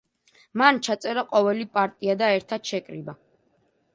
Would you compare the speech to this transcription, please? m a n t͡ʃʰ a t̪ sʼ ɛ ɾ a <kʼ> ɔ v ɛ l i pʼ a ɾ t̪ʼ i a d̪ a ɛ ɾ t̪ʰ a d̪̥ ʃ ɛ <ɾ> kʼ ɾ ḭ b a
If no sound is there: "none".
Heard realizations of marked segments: qʼ, none

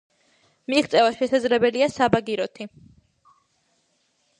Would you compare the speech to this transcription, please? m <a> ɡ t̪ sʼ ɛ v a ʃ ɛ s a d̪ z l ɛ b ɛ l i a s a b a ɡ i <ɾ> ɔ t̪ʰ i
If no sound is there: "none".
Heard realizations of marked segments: i, ɾ

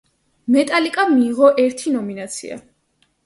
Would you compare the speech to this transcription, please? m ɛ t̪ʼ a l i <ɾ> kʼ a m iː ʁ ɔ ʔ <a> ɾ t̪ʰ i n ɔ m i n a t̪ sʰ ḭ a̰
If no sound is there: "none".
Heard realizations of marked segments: none, ɛ

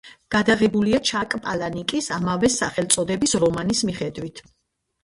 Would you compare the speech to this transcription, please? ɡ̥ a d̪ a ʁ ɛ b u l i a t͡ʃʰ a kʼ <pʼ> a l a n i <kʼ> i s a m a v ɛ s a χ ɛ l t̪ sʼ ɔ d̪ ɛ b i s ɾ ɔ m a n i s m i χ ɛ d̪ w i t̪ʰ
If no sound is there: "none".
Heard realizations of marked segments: pʼ, kʼ

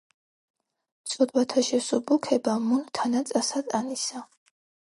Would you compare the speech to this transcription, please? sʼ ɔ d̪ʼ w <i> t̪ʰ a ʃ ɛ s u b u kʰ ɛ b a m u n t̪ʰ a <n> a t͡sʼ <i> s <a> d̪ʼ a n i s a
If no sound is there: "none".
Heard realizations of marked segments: a, n, a, a

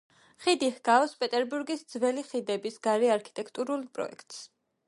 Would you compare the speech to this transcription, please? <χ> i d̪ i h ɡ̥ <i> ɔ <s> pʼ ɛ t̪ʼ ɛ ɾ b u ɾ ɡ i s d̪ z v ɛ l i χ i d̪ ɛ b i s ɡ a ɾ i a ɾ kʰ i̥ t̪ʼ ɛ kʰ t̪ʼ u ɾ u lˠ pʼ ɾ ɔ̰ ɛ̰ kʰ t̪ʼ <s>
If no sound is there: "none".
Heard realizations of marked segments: χ, a, s, s

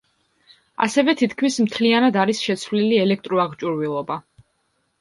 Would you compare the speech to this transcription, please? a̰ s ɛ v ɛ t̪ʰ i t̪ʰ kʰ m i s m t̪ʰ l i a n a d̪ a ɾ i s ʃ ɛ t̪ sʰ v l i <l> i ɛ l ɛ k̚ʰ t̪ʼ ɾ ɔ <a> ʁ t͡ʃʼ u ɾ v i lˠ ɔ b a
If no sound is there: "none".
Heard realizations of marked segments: l, a

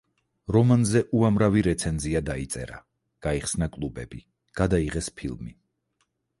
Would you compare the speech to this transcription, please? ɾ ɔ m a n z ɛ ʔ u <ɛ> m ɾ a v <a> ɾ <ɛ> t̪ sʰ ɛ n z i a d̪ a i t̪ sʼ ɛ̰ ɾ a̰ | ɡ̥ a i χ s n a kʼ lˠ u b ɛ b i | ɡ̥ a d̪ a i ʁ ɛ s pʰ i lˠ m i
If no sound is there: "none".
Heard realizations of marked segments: a, i, ɛ

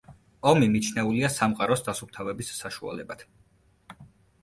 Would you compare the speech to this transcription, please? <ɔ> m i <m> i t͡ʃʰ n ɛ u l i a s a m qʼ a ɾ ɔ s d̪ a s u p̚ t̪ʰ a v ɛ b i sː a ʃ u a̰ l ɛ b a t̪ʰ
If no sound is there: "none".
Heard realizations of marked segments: ɔ, m

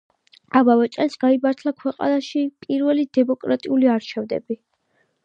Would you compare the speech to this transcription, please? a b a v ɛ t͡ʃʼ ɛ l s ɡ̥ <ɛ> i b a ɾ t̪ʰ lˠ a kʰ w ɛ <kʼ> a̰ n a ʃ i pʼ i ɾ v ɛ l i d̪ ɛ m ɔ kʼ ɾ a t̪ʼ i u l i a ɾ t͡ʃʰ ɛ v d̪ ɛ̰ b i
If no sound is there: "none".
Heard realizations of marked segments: a, qʼ

